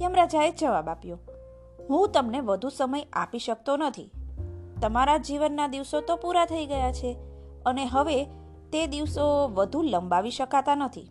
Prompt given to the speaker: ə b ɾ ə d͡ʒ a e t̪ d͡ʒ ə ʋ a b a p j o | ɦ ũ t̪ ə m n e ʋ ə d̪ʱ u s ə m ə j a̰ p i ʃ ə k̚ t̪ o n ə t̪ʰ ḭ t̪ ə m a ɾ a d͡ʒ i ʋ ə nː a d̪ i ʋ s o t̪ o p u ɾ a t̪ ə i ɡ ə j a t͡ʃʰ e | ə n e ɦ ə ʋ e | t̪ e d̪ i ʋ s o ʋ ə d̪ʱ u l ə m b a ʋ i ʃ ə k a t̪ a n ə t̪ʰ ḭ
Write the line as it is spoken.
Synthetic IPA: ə m ɾ a d͡ʒ a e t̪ d͡ʒ ə ʋ a b a p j o | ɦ ũ t̪ ə m n e ʋ ə d̪ʱ u s ə m ə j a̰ p i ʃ ə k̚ t̪ o n ə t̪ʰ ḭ t̪ ə m a ɾ a d͡ʒ i ʋ ə nː a d̪ i ʋ s o t̪ o p u ɾ a t̪ʰ ə i ɡ ə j a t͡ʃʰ e | ə n e ɦ ə ʋ e | t̪ e d̪ i ʋ s o ʋ ə d̪ʱ u l ə m b a ʋ i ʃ ə k a t̪ a n ə t̪ʰ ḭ